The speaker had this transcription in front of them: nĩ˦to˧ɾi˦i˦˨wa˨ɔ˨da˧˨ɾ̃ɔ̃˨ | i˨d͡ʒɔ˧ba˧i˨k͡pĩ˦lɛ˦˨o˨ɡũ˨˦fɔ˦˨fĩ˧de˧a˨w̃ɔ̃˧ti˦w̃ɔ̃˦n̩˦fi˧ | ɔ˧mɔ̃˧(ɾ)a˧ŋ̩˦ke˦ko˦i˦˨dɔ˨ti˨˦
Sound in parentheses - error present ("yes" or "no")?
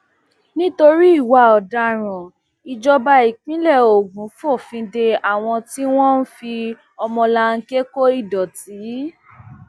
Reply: yes